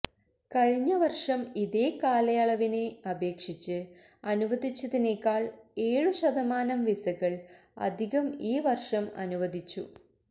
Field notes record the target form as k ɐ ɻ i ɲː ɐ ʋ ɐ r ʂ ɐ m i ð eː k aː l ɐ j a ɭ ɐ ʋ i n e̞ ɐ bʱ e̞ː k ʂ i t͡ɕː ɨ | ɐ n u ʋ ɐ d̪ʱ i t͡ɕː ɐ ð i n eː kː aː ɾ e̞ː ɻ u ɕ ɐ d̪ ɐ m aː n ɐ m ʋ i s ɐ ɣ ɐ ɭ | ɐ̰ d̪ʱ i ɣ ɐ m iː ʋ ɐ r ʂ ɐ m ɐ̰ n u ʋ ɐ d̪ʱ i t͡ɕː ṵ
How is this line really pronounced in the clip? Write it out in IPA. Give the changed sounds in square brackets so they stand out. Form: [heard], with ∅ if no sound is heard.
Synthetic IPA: k ɐ ɻ i ɲː ɐ ʋ ɐ r ʂ ɐ m i ð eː k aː l ɐ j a ɭ ɐ ʋ i n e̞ ɐ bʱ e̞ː k ʂ i t͡ɕː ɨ | ɐ n u ʋ ɐ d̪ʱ i t͡ɕː ɐ ð i n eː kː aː [ɭ] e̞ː ɻ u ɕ ɐ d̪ ɐ m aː n ɐ m ʋ i s ɐ ɣ ɐ ɭ | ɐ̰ d̪ʱ i ɣ ɐ m iː ʋ ɐ r ʂ ɐ m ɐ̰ n u ʋ ɐ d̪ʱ i t͡ɕː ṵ